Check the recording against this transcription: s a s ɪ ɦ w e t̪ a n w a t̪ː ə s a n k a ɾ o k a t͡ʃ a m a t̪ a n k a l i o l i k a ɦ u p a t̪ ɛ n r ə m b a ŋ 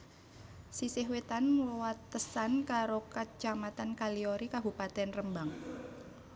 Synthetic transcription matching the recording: s i s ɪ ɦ w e t̪ a n w a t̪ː ə s a n k a ɾ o k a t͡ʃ a m a t̪ a n k a l i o ɾ i k a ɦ u p a t̪ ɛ n r ə m b a ŋ